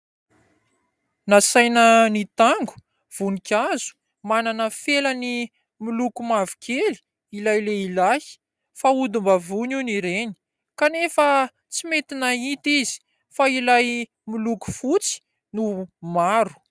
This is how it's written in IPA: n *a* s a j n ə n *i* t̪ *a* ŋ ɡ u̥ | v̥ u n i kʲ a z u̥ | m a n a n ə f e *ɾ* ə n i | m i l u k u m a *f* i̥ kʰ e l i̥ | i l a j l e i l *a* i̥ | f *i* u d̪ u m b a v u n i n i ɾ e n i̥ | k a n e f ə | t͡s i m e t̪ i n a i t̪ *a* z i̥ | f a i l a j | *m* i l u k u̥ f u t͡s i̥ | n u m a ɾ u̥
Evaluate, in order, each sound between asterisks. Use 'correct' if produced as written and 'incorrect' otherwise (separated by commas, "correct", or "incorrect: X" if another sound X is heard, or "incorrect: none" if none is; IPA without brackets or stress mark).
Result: correct, correct, correct, incorrect: l, incorrect: v, correct, incorrect: a, incorrect: i, correct